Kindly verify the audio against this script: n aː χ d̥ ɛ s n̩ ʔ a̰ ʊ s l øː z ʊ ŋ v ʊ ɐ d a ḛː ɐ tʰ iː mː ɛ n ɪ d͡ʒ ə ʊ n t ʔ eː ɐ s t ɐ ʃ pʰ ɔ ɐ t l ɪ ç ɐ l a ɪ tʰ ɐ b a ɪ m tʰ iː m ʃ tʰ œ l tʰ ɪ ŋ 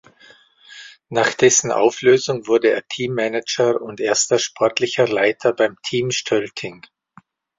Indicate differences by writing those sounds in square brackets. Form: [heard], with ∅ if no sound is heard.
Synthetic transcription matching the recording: n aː χ d̥ ɛ s n̩ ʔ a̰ ʊ [f] l øː z ʊ ŋ v ʊ ɐ d [ə] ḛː ɐ tʰ iː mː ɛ n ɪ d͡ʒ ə ʊ n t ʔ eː ɐ s t ɐ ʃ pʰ ɔ ɐ t l ɪ ç ɐ l a ɪ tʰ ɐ b a ɪ m tʰ iː m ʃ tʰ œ l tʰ ɪ ŋ